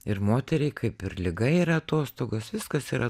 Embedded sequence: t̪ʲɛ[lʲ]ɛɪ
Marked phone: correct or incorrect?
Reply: incorrect